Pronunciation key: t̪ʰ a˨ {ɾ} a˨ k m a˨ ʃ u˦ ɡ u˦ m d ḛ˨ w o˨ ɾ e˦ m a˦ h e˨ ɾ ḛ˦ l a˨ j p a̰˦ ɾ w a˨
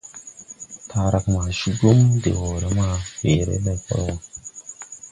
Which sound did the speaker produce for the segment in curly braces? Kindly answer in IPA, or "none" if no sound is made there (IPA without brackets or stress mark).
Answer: ɾ